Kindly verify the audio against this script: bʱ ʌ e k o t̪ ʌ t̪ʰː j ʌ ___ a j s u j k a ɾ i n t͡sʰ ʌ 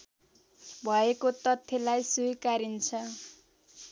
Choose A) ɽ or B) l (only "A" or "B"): B